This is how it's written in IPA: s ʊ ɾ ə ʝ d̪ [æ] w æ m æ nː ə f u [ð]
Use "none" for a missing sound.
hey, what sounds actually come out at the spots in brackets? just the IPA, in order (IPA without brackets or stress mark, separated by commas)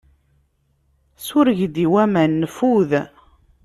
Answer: i, ð